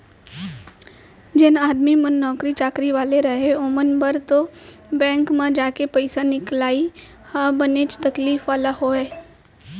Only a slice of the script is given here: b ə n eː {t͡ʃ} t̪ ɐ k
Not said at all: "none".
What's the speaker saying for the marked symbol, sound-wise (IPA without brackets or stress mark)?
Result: t͡ʃ